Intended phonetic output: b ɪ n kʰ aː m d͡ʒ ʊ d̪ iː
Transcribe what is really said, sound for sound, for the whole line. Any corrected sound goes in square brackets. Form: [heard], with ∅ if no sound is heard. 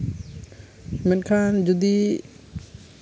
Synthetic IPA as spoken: [m] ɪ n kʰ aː [n] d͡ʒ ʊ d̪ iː